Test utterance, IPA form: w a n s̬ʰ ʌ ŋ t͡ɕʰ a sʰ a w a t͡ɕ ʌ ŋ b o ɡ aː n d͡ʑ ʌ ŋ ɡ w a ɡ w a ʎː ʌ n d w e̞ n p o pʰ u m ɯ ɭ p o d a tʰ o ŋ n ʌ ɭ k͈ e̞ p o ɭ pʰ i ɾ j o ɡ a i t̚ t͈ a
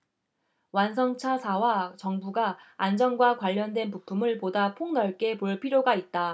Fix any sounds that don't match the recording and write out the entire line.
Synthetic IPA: w a n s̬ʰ ʌ ŋ t͡ɕʰ a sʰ a w a t͡ɕ ʌ ŋ b u ɡ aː n d͡ʑ ʌ ŋ ɡ w a k w a ʎː ʌ n d w e̞ n p u pʰ u m ɯ ɭ p o d a pʰ o ŋ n ʌ ɭ k͈ e̞ p o ɭ pʰ i ɾ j o ɡ a i t̚ t͈ a

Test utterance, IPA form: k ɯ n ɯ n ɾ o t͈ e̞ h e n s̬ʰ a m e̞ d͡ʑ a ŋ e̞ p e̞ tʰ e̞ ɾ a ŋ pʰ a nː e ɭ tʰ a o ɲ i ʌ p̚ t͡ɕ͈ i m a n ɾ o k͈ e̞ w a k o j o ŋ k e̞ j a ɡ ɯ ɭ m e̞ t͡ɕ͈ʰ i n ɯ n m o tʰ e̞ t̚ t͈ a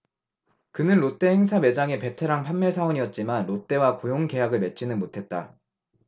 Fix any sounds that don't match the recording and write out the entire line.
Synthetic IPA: k ɯ n ɯ n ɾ o t͈ e̞ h e ŋ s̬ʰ a m e̞ d͡ʑ a ŋ e̞ p e̞ tʰ e̞ ɾ a ŋ pʰ a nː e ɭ sʰ a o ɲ i ʌ t̚ t͡ɕ͈ i m a n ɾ o t͈ e̞ w a k o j o ŋ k e̞ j a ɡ ɯ ɭ m e̞ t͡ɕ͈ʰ i n ɯ n m o tʰ e̞ t̚ t͈ a

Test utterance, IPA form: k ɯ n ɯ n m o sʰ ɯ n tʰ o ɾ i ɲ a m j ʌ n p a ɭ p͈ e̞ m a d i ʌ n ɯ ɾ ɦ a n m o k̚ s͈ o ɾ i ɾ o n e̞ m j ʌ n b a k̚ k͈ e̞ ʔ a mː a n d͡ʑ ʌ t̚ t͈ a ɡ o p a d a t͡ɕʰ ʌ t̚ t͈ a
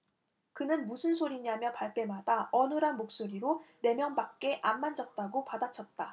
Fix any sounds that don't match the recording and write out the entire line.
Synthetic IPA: k ɯ n ɯ n m u sʰ ɯ n sʰ o ɾ i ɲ a m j ʌ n p a ɭ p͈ e̞ m a d a ʌ n ɯ ɾ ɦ a n m o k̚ s͈ o ɾ i ɾ o n e̞ m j ʌ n b a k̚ k͈ e̞ ʔ a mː a n d͡ʑ ʌ t̚ t͈ a ɡ o p a d a t͡ɕʰ ʌ t̚ t͈ a

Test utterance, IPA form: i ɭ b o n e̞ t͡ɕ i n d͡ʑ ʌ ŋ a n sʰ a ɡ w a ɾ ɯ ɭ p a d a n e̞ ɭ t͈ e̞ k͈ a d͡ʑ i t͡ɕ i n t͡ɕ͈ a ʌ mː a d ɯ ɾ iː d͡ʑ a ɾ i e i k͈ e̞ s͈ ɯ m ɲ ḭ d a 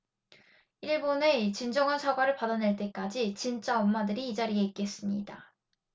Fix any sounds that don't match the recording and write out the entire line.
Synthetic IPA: i ɭ b o n e̞ t͡ɕ i n d͡ʑ ʌ ŋ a n sʰ a ɡ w a ɾ ɯ ɭ p a d a n e̞ ɭ t͈ e̞ k͈ a d͡ʑ i t͡ɕ i n t͡ɕ͈ a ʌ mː a d ɯ ɾ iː d͡ʑ a ɾ i e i k͈ e̞ s͈ ɯ m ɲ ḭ d a

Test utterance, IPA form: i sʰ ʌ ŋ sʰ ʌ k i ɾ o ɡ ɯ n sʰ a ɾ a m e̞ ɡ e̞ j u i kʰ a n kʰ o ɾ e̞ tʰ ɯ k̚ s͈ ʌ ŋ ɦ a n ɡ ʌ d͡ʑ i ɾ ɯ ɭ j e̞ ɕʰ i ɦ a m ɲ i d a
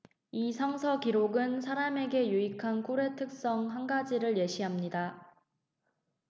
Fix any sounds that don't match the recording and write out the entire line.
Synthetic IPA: i sʰ ʌ ŋ sʰ ʌ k i ɾ o ɡ ɯ n sʰ a ɾ a m e̞ ɡ e̞ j u i kʰ a n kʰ o ɾ e̞ tʰ ɯ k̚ s͈ ʌ ŋ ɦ a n ɡ a d͡ʑ i ɾ ɯ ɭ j e̞ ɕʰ i ɦ a m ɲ i d a

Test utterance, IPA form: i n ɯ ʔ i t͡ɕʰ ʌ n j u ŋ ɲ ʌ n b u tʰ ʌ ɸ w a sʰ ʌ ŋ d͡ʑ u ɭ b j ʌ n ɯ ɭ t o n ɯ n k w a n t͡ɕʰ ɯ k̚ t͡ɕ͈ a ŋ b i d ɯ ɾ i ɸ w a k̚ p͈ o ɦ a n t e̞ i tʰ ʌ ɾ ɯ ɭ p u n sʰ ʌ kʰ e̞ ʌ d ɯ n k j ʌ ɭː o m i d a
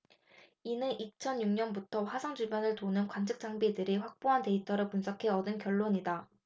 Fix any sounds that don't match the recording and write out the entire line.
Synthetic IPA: i n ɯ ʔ i t͡ɕʰ ʌ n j u ŋ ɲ ʌ n b u tʰ ʌ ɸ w a sʰ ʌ ŋ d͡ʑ u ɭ b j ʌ n ɯ ɭ t o n ɯ n k w a n t͡ɕʰ ɯ k̚ t͡ɕ͈ a ŋ b i d ɯ ɾ i ɸ w a k̚ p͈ o ɦ a n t e̞ i tʰ ʌ ɾ ɯ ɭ p u n sʰ ʌ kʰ e̞ ʌ d ɯ n k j ʌ ɭː o ɲ i d a

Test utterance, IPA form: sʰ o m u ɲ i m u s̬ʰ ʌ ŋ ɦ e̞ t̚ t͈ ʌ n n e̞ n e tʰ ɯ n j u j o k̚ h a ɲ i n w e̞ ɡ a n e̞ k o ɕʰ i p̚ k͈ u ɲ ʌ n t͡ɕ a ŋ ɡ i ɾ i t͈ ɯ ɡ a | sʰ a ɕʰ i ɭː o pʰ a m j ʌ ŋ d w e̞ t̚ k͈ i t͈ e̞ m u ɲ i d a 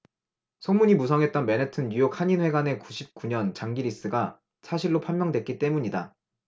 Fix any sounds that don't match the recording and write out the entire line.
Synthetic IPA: sʰ o m u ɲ i m u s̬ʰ ʌ ŋ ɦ e̞ t̚ t͈ ʌ n m e̞ n e tʰ ɯ n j u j o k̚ h a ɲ i n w e̞ ɡ a n e̞ k u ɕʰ i p̚ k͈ u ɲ ʌ n t͡ɕ a ŋ ɡ i ɾ i s͈ ɯ ɡ a | sʰ a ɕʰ i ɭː o pʰ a m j ʌ ŋ d w e̞ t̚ k͈ i t͈ e̞ m u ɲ i d a

